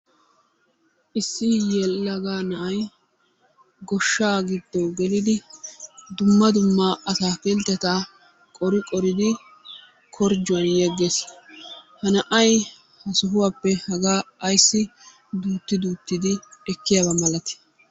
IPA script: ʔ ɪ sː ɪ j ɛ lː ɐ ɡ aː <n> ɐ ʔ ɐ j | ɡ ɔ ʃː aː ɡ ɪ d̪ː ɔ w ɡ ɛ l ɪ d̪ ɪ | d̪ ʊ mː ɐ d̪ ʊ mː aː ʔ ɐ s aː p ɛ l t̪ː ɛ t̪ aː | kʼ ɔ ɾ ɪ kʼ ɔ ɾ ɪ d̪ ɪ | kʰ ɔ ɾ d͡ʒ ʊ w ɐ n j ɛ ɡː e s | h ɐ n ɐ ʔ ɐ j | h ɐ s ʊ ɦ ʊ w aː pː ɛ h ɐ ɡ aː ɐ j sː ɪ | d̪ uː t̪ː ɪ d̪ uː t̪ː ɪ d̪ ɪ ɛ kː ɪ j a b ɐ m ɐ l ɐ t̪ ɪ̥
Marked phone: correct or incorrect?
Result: correct